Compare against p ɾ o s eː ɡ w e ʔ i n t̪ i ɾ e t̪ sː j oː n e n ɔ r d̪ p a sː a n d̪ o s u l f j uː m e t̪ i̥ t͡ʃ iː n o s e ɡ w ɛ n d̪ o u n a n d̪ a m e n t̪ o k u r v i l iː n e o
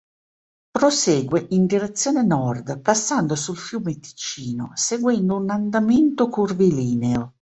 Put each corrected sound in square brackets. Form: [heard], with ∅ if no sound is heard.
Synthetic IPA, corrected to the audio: p ɾ o s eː ɡ w e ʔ i n [d̪] i ɾ e t̪ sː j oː n e n ɔ r d̪ p a sː a n d̪ o s u l f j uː m e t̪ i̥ t͡ʃ iː n o s e ɡ w ɛ n d̪ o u n a n d̪ a m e n t̪ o k u r v i l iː n e o